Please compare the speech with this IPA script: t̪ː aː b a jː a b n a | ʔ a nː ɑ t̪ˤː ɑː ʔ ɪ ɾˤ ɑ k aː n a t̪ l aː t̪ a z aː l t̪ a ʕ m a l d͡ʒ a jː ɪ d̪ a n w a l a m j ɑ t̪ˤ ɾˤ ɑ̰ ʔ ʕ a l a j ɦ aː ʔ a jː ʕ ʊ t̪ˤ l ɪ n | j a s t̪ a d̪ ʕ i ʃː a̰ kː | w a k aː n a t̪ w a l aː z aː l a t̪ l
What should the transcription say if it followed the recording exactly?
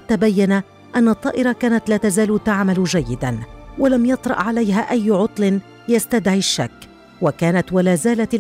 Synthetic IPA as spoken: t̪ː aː b a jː a n a | ʔ a nː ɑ t̪ˤː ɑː ʔ ɪ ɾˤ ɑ k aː n a t̪ l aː t̪ a z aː l t̪ a ʕ m a l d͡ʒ a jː ɪ d̪ a n w a l a m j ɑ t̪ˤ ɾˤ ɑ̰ ʔ ʕ a l a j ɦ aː ʔ a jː ʕ ʊ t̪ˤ l ɪ n | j a s t̪ a d̪ ʕ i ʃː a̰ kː | w a k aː n a t̪ w a l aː z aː l a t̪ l